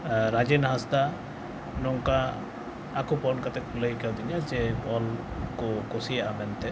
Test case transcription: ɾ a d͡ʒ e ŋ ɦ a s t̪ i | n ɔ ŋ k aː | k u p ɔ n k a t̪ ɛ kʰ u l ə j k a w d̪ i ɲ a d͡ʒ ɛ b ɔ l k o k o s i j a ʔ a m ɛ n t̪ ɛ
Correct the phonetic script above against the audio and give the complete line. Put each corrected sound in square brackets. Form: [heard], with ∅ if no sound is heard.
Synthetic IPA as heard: ɾ a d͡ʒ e [n] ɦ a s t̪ [a] | n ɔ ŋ k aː | k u p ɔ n k a t̪ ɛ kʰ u l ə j k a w d̪ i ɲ a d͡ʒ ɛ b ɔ l k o k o s i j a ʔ a m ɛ n t̪ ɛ

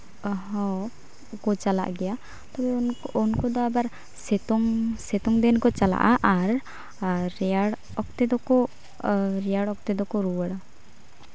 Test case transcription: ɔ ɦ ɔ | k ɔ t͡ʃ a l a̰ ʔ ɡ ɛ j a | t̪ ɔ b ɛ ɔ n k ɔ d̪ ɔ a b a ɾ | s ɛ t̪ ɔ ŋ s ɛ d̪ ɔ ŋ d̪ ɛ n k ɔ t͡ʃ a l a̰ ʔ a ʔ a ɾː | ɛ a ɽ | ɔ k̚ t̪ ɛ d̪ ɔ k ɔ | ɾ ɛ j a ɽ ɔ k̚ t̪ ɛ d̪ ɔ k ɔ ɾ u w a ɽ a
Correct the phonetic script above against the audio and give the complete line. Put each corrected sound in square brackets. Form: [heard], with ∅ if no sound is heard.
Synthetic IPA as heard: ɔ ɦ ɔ | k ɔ t͡ʃ a l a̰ ʔ ɡ ɛ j a | t̪ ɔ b ɛ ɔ n k ɔ d̪ ɔ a b a ɾ | s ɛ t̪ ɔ ŋ s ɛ [t̪] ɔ ŋ d̪ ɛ n k ɔ t͡ʃ a l a̰ ʔ a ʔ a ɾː | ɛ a ɽ | ɔ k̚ t̪ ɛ d̪ ɔ k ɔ | ɾ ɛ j a ɽ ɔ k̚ t̪ ɛ d̪ ɔ k ɔ ɾ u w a ɽ a

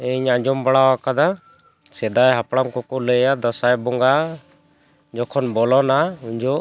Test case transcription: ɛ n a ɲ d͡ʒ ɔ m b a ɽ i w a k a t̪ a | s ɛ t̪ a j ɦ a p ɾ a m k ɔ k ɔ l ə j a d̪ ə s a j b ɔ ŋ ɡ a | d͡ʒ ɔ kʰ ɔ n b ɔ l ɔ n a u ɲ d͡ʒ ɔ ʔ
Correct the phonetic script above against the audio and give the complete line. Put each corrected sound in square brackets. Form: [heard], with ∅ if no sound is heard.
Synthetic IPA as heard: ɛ [ɲ] a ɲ d͡ʒ ɔ m b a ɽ [a] w a k a [d̪] a | s ɛ [d̪] a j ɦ a p [ɽ] a m k ɔ k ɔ l ə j a d̪ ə s a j b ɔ ŋ ɡ a | d͡ʒ ɔ kʰ ɔ n b ɔ l ɔ n a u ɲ d͡ʒ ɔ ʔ

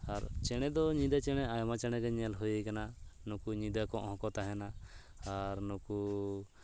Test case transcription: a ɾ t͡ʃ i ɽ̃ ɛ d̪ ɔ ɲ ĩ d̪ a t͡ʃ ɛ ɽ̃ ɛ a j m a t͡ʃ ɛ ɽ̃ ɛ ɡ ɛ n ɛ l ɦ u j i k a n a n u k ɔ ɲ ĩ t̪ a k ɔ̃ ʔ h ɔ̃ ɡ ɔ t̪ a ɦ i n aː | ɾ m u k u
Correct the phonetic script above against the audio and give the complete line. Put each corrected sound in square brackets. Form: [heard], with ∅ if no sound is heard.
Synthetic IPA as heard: a ɾ t͡ʃ [ɛ] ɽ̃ ɛ d̪ ɔ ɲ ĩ d̪ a t͡ʃ ɛ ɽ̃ ɛ a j m a t͡ʃ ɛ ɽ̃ ɛ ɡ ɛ [ɲ] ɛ l ɦ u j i k a n a n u k [u] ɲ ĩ [d̪] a k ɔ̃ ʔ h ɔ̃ [k] ɔ t̪ a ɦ [ɛ] n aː | ɾ [n] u k u

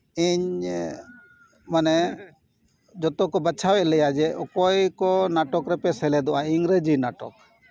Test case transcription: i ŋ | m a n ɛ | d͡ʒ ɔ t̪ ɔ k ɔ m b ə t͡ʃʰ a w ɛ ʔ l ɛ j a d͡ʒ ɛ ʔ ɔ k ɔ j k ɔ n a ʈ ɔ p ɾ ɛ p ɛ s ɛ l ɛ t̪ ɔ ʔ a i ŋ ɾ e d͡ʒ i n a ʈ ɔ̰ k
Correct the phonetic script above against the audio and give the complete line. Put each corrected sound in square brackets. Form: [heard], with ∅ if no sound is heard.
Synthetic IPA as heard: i [ɲ] | m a n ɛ | d͡ʒ ɔ t̪ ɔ k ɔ [∅] b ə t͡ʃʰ a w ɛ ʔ l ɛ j a d͡ʒ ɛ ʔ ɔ k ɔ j k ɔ n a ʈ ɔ [k] ɾ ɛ p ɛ s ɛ l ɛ [d̪] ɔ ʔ a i ŋ ɾ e d͡ʒ i n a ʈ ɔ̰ k

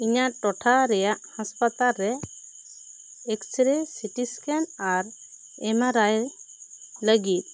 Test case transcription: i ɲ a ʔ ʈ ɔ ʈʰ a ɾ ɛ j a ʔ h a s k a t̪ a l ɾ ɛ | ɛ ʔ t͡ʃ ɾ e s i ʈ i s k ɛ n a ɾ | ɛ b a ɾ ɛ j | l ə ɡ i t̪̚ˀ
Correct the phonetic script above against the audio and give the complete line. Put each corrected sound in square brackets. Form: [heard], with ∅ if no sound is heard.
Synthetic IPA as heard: i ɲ a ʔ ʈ ɔ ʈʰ a ɾ ɛ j a ʔ h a s [p] a t̪ a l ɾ ɛ | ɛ [k] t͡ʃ ɾ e s i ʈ i s k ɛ n a ɾ | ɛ [m] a ɾ [a] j | l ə ɡ i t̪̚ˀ

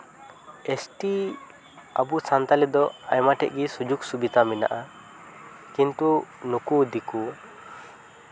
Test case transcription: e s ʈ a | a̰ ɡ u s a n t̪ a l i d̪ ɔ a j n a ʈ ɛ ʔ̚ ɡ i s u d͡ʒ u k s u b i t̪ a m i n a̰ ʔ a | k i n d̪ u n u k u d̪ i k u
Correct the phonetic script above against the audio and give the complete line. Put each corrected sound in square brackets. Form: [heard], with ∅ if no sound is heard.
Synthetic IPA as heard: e s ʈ [i] | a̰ [b] u s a n t̪ a l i d̪ ɔ a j [m] a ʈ ɛ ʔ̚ ɡ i s u d͡ʒ u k s u b i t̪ a m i n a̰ ʔ a | k i n [t̪] u n u k u d̪ i k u

